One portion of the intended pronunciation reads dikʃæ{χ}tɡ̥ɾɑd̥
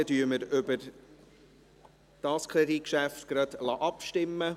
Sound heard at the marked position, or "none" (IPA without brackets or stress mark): f